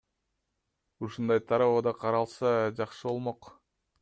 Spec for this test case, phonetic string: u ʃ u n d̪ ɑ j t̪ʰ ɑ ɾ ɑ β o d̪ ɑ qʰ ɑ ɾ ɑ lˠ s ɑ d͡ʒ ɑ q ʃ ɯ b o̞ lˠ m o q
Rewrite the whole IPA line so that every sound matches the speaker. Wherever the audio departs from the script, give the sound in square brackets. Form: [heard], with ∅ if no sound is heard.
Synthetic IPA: u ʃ u n d̪ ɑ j t̪ʰ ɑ ɾ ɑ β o d̪ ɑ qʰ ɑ ɾ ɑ lˠ s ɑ d͡ʒ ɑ q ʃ ɯ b o̞ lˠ m o q